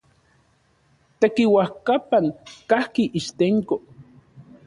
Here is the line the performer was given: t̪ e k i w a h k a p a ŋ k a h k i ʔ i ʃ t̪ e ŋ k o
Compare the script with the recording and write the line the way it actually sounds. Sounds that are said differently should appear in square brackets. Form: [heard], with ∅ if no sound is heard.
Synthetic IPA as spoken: t̪ e k i w a h k a p a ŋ k a h k i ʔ i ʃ t̪ e ŋ k o